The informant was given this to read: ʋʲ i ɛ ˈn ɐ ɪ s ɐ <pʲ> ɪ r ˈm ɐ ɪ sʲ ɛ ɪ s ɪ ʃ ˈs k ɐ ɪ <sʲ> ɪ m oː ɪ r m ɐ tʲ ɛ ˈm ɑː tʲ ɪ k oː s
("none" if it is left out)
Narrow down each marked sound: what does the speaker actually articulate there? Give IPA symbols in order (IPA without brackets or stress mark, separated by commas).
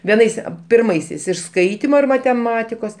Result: pʲ, tʲ